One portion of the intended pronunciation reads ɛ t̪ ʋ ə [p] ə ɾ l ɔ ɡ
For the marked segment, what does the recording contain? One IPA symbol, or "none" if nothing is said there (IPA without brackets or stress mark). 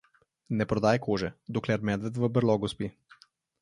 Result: b